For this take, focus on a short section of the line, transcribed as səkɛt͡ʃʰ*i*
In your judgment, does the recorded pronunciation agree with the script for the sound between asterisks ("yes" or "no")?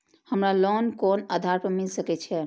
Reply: no